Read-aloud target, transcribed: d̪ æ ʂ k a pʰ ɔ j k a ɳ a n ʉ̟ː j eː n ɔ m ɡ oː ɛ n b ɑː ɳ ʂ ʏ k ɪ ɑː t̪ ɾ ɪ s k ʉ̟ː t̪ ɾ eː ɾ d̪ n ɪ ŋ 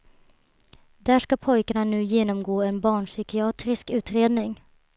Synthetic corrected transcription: d̪ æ ʂ k a pʰ ɔ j k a ɳ a n ʉ̟ː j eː n ɔ m ɡ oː ɛ n b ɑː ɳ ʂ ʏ k ɪ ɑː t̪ ɾ ɪ s k ʉ̟ː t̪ ɾ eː d̪ n ɪ ŋ